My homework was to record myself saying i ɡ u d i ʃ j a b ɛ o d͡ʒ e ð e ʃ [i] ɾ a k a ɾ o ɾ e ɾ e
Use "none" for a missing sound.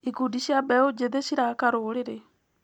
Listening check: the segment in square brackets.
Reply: i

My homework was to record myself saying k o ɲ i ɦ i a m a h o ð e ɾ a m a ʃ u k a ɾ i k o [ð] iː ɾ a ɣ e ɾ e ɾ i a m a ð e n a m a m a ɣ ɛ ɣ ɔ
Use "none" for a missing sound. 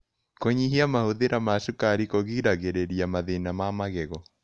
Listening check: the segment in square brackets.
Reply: ɣ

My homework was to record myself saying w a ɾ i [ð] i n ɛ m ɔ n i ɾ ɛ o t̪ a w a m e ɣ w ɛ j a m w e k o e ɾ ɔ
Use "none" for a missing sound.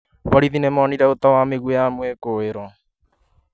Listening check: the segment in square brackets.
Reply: ð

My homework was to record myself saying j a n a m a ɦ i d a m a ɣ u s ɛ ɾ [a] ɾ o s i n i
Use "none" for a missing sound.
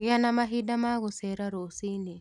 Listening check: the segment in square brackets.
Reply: a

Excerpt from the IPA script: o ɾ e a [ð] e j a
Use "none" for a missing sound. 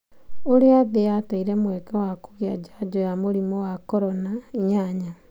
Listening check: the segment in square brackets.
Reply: ð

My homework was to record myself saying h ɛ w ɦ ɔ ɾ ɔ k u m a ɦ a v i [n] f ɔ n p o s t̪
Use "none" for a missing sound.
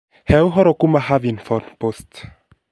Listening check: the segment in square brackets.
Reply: n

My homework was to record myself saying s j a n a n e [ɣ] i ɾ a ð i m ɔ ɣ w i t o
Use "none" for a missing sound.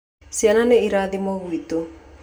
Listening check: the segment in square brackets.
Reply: none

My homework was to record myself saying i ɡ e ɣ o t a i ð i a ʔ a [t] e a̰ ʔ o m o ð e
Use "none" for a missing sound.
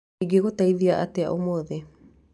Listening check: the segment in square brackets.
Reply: t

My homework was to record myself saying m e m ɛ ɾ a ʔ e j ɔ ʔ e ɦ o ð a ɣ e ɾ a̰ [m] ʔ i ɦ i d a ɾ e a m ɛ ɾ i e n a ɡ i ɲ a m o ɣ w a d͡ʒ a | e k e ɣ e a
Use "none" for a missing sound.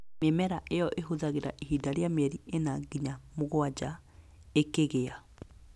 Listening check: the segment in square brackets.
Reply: none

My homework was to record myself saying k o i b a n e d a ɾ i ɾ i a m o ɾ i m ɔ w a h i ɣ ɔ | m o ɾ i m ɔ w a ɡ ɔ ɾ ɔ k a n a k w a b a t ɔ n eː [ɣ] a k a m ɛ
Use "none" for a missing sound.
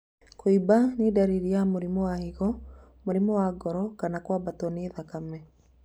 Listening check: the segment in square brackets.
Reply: ð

